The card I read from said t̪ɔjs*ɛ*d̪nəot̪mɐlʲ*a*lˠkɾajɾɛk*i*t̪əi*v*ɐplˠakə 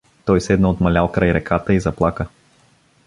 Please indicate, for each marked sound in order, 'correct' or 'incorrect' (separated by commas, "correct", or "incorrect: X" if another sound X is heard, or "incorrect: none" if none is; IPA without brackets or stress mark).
correct, correct, incorrect: a, incorrect: z